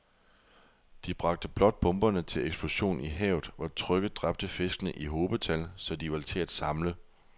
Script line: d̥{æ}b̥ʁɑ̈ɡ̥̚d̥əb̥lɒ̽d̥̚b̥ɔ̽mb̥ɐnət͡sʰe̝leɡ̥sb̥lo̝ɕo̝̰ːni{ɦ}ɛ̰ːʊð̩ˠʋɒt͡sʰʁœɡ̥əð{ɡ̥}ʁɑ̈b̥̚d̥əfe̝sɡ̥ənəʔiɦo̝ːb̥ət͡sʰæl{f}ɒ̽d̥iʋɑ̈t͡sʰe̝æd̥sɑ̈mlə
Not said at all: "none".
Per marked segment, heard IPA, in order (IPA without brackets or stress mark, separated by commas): i, ɦ, d̥, s